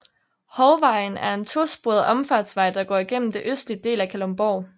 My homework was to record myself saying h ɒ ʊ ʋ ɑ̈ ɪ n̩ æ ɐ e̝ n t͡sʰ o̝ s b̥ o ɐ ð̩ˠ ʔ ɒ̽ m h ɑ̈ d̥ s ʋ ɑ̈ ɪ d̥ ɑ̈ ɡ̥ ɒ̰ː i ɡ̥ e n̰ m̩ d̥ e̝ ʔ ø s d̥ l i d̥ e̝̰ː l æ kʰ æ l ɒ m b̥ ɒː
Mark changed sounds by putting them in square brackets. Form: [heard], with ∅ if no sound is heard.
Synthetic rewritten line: h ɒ ʊ ʋ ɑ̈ ɪ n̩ æ ɐ e̝ n t͡sʰ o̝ s b̥ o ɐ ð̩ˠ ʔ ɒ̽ m [f] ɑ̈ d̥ s ʋ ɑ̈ ɪ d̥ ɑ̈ ɡ̥ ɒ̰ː i ɡ̥ e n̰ m̩ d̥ e̝ ʔ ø s d̥ l i d̥ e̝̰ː l æ kʰ æ l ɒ m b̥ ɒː